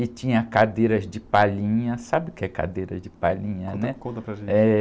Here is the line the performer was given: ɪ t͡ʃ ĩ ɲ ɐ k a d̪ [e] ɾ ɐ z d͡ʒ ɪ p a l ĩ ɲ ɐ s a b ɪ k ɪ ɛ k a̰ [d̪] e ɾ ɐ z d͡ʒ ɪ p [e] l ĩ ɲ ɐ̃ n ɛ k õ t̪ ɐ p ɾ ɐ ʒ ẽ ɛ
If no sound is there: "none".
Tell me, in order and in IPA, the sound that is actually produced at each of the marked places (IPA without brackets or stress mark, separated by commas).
e, d̪, a